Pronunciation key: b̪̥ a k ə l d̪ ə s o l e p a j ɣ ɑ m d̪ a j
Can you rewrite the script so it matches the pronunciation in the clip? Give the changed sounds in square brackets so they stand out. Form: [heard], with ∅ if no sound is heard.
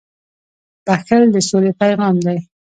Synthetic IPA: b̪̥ a [x] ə l d̪ ə s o l e p a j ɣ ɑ m d̪ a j